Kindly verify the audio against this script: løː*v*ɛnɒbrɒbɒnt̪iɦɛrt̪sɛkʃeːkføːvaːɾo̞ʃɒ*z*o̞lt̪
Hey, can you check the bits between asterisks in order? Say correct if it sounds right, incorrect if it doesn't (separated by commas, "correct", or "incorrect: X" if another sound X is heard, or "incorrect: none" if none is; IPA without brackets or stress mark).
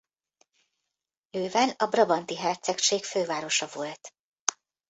correct, incorrect: v